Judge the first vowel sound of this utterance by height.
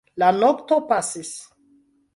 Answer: low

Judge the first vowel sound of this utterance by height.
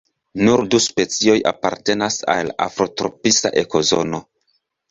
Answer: high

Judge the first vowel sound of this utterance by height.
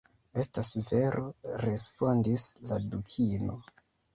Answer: mid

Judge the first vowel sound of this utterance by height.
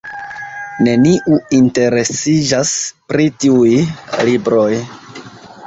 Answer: mid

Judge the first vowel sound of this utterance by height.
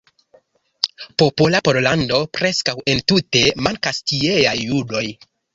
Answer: mid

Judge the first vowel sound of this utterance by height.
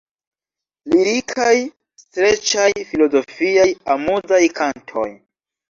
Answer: high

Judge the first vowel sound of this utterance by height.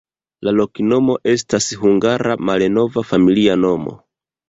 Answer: low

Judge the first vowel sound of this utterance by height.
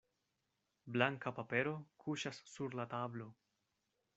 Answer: low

